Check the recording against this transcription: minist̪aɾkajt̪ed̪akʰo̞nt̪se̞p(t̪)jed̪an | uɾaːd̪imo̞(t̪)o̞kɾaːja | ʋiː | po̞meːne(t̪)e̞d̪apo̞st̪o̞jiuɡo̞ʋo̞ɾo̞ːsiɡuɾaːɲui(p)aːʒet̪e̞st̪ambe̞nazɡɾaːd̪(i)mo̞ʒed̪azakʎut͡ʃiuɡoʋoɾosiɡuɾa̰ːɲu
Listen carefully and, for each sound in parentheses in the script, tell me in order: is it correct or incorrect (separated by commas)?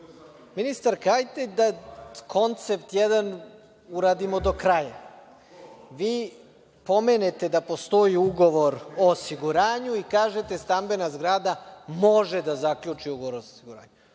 correct, incorrect, correct, incorrect, incorrect